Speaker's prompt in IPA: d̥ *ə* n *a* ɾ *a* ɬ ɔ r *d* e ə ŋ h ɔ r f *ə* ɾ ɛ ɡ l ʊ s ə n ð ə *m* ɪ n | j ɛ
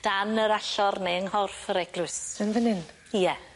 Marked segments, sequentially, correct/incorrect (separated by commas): incorrect, incorrect, correct, incorrect, correct, incorrect